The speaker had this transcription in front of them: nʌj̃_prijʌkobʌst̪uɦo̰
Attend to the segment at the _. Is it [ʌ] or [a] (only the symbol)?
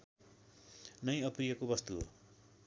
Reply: ʌ